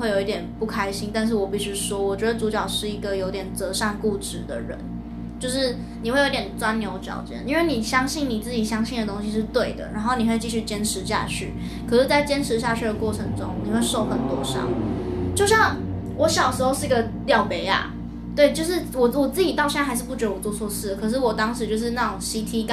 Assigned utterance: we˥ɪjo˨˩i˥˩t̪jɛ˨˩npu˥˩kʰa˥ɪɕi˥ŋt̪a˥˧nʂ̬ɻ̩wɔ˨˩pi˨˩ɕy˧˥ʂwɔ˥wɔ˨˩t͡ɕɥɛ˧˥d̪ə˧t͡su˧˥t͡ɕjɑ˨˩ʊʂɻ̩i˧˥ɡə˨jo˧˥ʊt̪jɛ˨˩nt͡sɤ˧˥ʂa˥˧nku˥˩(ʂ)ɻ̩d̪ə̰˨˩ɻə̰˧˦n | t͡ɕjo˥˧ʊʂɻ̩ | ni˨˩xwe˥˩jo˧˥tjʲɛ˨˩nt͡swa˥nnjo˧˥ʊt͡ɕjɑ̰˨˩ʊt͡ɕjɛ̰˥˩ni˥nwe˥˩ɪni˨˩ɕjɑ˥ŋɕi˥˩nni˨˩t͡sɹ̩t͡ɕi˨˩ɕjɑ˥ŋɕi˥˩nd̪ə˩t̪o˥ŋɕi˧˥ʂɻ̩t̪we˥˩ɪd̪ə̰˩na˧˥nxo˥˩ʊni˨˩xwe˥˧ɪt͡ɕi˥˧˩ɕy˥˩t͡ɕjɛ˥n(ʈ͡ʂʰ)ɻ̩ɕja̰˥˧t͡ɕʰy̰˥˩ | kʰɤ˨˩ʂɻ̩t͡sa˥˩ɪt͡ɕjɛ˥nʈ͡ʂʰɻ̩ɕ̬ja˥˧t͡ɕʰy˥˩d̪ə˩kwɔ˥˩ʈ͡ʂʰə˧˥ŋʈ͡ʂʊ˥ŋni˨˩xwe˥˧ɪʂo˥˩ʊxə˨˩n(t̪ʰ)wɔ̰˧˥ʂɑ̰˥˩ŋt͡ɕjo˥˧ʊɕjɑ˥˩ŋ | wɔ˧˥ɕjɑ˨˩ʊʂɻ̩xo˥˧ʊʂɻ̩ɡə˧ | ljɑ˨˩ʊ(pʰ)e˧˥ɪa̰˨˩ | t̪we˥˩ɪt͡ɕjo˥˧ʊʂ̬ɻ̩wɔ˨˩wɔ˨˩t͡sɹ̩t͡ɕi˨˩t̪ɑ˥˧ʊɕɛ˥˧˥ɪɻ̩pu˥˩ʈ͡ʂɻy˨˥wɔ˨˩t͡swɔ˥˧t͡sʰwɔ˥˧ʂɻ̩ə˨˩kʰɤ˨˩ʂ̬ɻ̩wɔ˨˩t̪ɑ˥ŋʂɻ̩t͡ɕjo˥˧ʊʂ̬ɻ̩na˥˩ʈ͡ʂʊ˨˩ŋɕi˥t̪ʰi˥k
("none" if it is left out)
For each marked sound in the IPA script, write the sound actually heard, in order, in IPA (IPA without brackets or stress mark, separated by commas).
ʈ͡ʂ, ʈ͡ʂʰ, t̪, p